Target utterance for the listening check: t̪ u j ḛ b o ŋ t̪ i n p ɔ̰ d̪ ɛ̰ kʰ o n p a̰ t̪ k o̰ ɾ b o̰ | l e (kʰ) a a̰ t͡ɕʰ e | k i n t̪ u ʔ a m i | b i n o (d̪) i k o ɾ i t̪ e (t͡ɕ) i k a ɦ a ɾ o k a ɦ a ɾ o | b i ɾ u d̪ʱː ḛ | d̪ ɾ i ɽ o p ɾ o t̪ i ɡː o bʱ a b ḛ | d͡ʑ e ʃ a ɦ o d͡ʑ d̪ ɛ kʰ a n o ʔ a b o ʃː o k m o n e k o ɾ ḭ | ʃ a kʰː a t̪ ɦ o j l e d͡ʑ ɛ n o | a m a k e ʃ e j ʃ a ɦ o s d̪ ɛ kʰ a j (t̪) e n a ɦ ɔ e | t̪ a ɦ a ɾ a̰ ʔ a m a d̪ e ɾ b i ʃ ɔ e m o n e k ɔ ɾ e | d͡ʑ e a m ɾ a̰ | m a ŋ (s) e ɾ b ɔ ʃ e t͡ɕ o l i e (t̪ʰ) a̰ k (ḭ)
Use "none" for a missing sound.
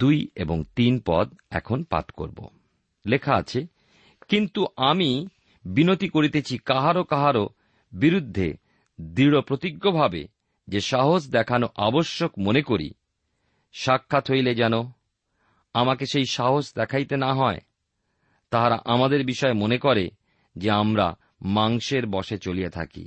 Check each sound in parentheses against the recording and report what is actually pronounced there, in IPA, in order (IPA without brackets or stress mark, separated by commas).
kʰ, t̪, t͡ɕʰ, t̪, ʃ, t̪ʰ, ḭ